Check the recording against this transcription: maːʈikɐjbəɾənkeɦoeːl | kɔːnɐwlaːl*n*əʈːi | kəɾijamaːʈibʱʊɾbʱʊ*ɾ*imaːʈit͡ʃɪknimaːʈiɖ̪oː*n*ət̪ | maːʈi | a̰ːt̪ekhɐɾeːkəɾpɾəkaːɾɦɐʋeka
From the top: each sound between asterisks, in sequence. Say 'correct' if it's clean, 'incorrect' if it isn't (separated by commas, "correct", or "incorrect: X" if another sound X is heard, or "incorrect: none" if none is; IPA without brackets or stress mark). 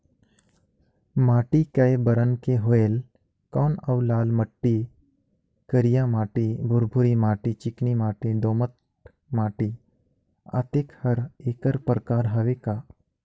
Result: incorrect: m, correct, incorrect: m